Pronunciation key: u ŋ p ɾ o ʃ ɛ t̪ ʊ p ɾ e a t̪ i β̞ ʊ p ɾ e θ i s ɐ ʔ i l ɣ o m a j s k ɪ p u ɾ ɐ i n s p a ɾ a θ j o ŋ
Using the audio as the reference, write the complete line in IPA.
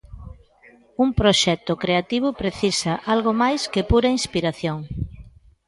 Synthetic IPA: u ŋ p ɾ o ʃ ɛ t̪ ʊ k ɾ e a t̪ i β̞ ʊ p ɾ e θ i s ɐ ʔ a l ɣ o m a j s k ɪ p u ɾ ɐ i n s p i ɾ a θ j o ŋ